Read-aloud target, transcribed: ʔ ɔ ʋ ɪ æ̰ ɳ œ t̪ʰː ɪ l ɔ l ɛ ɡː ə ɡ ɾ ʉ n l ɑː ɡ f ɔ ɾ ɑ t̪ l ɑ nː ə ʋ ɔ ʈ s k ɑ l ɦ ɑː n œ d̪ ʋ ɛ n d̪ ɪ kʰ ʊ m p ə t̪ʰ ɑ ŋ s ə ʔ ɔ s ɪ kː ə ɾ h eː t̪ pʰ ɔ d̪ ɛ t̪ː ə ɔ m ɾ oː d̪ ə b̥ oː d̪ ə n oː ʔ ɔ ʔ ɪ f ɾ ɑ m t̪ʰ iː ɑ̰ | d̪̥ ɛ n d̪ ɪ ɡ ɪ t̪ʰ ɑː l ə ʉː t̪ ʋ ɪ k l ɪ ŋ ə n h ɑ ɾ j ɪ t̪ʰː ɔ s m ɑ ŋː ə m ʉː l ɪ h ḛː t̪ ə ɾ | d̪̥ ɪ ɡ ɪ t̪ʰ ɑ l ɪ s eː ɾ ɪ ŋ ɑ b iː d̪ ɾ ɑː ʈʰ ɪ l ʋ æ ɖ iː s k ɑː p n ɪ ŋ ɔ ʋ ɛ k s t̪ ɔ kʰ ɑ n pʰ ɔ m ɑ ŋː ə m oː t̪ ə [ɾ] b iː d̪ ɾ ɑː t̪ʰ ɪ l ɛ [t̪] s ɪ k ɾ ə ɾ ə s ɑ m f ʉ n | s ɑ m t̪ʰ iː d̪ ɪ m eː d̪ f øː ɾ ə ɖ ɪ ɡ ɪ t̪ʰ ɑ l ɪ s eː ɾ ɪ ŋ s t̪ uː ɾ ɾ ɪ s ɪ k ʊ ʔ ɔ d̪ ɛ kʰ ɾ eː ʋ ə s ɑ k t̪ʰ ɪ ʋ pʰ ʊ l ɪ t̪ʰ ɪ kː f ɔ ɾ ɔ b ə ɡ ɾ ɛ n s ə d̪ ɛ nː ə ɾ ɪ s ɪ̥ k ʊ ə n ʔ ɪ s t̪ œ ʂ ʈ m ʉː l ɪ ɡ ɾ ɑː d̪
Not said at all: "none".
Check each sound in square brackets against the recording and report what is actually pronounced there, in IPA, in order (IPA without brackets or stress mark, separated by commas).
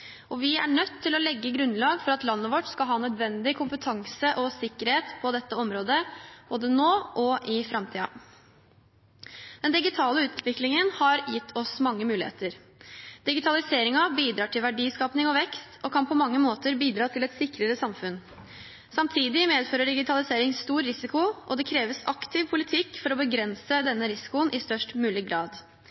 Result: ɾ, t̪